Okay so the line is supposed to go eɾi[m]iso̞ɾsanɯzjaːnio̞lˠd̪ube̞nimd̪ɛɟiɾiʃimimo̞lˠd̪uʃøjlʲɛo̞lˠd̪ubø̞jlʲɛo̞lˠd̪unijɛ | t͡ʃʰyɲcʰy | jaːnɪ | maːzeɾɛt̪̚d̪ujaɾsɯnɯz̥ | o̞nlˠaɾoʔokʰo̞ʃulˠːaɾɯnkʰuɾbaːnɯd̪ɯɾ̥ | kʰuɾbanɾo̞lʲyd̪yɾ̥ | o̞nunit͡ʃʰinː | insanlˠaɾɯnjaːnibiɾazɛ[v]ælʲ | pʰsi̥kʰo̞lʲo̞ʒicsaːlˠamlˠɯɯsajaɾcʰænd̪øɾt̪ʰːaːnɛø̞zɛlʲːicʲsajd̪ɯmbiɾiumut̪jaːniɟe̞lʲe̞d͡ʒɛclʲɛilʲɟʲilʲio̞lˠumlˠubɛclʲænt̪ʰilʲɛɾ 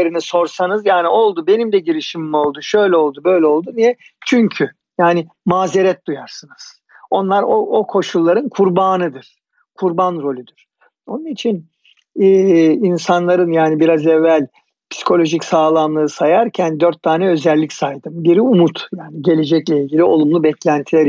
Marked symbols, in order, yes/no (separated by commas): no, no